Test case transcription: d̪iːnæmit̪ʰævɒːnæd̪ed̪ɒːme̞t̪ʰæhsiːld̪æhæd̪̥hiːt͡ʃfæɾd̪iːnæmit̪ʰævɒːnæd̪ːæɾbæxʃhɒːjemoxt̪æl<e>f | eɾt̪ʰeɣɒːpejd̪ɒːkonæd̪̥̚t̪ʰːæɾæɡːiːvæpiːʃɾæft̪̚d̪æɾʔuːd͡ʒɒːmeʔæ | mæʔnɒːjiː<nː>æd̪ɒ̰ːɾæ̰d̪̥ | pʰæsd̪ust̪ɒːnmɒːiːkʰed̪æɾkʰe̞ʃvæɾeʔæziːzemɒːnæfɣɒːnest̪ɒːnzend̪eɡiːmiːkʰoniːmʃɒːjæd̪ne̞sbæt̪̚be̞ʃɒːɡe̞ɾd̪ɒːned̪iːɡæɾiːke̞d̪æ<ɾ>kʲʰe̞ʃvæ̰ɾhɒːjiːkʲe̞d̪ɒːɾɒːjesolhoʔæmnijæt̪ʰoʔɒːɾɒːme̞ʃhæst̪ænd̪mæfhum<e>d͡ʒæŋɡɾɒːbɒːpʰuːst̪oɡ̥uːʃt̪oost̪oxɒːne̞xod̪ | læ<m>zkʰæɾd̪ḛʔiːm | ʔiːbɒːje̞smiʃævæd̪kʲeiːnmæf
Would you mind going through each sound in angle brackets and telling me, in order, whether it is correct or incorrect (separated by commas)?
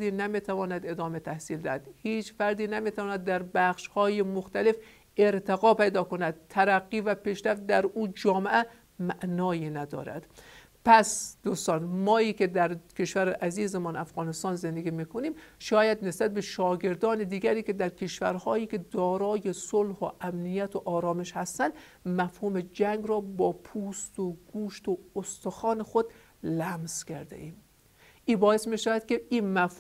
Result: correct, incorrect, correct, correct, correct